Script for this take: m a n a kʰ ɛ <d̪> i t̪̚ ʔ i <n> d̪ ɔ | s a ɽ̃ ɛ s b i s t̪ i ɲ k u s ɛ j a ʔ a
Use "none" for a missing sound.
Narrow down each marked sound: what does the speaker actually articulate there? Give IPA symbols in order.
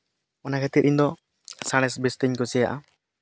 t̪, ɲ

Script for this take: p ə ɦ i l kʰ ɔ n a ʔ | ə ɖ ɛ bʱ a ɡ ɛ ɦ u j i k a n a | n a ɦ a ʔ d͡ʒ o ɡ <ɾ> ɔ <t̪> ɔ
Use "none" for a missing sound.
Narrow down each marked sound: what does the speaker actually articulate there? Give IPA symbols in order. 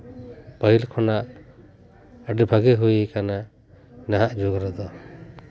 ɾ, d̪

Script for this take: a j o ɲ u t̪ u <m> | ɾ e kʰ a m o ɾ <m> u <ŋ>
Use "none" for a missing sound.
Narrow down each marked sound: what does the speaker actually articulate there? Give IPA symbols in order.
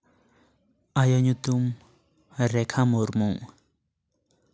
m, m, ŋ

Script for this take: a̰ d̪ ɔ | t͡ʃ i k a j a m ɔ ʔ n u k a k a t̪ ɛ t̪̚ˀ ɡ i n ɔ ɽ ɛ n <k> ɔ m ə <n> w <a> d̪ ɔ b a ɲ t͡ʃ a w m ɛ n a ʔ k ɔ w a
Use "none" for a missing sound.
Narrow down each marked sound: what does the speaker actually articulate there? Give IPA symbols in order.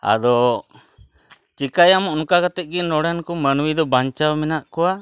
k, n, i

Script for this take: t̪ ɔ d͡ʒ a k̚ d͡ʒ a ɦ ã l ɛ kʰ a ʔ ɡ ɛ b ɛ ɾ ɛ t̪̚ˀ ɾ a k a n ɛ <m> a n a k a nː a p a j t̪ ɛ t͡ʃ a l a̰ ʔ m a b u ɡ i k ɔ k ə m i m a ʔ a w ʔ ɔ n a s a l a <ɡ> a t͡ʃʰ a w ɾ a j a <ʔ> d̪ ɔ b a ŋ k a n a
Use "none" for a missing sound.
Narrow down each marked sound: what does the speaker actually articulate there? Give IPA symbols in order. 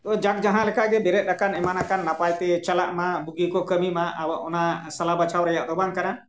m, b, ʔ

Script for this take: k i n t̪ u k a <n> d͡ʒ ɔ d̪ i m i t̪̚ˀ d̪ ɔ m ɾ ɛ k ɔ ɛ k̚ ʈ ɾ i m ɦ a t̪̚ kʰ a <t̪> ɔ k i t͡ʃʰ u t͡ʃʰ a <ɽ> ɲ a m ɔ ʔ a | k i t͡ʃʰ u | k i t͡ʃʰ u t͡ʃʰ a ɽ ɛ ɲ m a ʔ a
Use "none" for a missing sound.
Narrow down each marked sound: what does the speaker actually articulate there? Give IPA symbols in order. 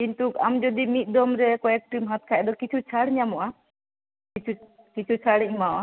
m, d̪, ɽ

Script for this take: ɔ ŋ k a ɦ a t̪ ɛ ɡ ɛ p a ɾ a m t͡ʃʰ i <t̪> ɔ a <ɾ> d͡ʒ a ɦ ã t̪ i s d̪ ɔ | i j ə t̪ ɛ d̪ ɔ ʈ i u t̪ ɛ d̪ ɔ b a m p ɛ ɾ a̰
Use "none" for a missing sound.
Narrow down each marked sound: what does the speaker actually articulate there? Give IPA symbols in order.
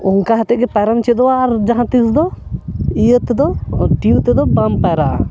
d̪, ɾ

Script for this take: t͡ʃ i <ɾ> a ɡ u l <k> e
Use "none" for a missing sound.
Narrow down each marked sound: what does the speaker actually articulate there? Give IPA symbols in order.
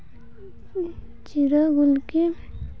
ɾ, k

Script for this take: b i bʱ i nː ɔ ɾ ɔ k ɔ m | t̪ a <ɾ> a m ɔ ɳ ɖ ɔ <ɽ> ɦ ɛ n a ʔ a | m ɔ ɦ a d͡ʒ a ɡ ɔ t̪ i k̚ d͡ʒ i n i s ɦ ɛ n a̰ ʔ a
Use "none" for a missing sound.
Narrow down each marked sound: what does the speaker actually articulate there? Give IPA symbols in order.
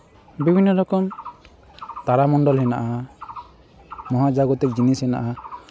ɾ, l

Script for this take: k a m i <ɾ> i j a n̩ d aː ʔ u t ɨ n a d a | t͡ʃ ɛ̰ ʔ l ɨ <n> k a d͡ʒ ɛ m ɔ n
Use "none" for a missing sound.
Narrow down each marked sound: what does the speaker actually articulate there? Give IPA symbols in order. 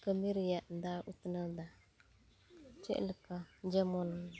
ɾ, none

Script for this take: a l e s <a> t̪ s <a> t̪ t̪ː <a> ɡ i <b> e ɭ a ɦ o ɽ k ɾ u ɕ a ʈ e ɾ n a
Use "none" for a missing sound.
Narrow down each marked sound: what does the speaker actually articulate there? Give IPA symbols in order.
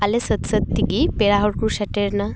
ə, ə, i, p

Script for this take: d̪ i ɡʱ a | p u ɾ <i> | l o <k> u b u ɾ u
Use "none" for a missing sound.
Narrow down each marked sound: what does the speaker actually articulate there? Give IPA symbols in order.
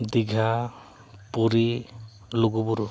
i, ɡ

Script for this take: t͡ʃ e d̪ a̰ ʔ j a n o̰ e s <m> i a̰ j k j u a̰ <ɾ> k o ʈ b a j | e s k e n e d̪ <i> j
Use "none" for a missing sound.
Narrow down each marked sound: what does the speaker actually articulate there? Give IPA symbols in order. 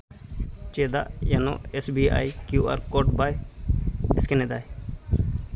b, ɾ, a

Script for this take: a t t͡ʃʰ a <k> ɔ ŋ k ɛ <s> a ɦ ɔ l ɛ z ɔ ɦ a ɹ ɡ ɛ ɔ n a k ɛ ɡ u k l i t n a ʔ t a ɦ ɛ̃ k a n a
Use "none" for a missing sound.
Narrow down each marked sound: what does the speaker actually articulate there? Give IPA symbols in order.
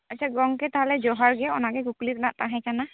ɡ, t

